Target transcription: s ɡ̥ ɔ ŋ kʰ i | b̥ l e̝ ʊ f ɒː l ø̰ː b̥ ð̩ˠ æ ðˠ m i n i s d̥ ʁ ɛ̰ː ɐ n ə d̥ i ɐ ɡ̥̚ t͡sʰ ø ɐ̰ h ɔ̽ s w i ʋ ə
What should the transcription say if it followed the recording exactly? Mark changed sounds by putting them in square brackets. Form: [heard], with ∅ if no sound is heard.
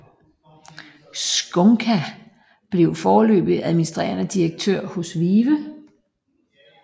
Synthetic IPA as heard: s ɡ̥ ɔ ŋ kʰ [æ] | b̥ l e̝ ʊ f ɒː l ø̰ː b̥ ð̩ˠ æ ðˠ m i n i s d̥ ʁ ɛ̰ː ɐ n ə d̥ i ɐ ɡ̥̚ t͡sʰ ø ɐ̰ h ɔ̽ s [ʋ] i ʋ ə